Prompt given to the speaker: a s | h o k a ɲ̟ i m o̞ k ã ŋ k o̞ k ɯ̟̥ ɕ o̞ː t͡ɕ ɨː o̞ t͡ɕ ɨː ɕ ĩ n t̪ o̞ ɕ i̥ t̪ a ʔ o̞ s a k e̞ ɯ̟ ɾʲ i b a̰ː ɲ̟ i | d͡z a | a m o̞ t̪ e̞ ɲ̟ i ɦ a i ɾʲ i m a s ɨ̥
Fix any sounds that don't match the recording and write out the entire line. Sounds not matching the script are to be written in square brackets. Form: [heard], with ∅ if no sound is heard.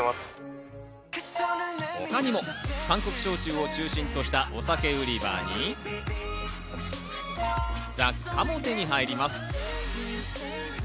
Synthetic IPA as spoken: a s | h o k a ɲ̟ i m o̞ k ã ŋ k o̞ k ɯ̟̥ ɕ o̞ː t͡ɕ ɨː o̞ t͡ɕ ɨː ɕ ĩ n t̪ o̞ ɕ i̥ t̪ a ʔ o̞ s a k e̞ ɯ̟ ɾʲ i b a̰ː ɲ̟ i | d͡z a | a m o̞ t̪ e̞ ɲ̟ i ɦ a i ɾʲ i m a s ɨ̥

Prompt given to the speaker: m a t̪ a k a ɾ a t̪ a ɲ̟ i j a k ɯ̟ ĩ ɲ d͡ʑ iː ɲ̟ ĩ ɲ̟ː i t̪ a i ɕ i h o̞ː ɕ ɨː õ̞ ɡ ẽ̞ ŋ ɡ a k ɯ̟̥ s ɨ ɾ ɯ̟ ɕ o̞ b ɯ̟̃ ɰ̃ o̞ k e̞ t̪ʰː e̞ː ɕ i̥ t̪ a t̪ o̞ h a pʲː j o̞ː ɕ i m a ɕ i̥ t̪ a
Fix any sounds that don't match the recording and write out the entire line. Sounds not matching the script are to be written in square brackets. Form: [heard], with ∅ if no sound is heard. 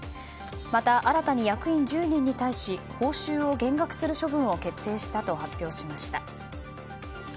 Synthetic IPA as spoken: m a t̪ a [ʔ] a ɾ a t̪ a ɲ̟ i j a k ɯ̟ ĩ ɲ d͡ʑ [ɨː] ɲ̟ ĩ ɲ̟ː i t̪ a i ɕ i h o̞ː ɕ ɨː [o̞] ɡ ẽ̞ ŋ ɡ a k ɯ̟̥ s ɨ ɾ ɯ̟ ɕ o̞ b ɯ̟̃ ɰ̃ o̞ k e̞ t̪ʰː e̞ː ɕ i̥ t̪ a t̪ o̞ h a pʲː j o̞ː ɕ i m a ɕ i̥ t̪ a

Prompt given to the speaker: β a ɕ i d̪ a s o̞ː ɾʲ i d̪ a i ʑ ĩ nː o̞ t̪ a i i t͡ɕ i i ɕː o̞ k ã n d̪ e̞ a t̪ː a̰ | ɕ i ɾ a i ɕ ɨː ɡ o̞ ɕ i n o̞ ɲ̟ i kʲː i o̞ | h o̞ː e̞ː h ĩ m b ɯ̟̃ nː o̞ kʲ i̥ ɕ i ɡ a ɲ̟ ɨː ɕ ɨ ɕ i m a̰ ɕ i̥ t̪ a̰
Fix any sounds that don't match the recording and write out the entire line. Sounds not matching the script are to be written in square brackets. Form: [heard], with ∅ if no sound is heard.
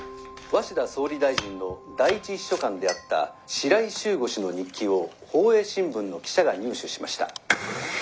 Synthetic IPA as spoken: β a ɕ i d̪ a s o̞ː ɾʲ i d̪ a i ʑ ĩ nː o̞ [d̪] a i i t͡ɕ i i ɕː o̞ k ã n d̪ e̞ a t̪ː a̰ | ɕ i ɾ a i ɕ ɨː ɡ o̞ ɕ i n o̞ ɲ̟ i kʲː i o̞ | h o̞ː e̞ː [ɕ] ĩ m b ɯ̟̃ nː o̞ kʲ i̥ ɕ [a] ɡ a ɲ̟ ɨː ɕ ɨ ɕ i m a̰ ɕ i̥ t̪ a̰

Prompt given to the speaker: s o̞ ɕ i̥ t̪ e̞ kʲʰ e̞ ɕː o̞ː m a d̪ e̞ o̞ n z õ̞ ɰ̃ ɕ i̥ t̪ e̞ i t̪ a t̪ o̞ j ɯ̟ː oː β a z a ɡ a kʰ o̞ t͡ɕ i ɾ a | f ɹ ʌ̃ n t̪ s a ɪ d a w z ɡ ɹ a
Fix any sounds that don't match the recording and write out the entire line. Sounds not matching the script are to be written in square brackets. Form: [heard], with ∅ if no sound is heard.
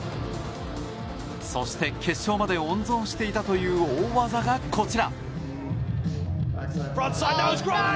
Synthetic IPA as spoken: s o̞ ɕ i̥ t̪ e̞ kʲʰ e̞ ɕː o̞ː m a d̪ e̞ [õ̞] n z õ̞ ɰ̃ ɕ i̥ t̪ e̞ i t̪ a t̪ o̞ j ɯ̟ː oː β a z a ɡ a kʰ o̞ t͡ɕ i ɾ a | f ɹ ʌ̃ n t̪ s a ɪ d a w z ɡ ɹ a

